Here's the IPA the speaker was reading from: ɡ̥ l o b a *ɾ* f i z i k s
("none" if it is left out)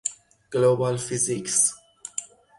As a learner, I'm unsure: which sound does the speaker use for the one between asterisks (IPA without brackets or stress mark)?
l